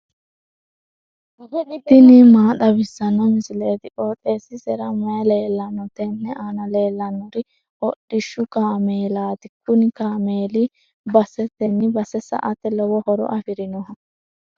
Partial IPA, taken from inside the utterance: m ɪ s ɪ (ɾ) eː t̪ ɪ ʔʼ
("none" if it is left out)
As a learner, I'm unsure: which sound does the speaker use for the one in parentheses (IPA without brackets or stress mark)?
l